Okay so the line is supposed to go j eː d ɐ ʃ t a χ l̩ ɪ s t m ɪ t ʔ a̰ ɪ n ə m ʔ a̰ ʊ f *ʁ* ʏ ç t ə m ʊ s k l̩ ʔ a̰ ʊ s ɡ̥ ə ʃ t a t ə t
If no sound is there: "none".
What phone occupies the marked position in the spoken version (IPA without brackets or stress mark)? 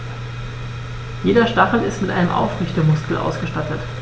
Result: ʁ